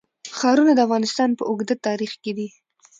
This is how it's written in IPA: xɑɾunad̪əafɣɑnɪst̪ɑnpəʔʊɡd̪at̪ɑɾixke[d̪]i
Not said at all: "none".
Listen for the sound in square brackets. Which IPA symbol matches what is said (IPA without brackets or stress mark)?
d̪